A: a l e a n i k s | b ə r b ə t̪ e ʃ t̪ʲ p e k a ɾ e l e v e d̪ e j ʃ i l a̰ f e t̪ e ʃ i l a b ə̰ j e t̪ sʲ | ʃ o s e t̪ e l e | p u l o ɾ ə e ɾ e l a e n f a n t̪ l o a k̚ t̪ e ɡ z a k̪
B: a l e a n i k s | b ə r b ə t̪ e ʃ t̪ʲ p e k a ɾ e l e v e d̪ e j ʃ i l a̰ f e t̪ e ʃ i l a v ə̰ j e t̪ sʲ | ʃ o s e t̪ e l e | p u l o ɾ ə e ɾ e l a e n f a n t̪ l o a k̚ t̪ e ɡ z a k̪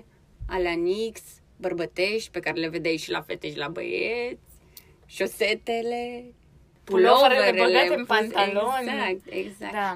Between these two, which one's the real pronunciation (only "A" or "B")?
A